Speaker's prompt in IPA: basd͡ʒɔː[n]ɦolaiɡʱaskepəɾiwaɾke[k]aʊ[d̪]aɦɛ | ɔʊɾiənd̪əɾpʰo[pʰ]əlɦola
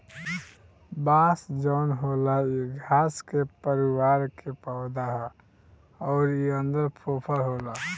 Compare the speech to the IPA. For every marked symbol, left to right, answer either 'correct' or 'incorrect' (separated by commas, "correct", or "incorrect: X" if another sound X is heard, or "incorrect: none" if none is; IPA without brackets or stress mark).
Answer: correct, incorrect: p, correct, correct